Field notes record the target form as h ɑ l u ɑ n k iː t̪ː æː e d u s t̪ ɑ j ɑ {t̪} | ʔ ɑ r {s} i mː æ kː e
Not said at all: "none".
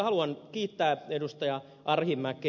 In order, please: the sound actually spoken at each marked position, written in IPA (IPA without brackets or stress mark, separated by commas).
none, h